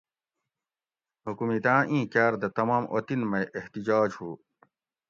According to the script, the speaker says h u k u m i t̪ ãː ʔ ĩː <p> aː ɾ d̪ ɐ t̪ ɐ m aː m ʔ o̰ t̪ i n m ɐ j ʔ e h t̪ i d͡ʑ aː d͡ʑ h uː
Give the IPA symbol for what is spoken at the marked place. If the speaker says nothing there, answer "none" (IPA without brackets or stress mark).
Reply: k